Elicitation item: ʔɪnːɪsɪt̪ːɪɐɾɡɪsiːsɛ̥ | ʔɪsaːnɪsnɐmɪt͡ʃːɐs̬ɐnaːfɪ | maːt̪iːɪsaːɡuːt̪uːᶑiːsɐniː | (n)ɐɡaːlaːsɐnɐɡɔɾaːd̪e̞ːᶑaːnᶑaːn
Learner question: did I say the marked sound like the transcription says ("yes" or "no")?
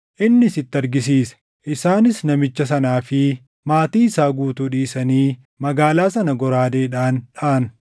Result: no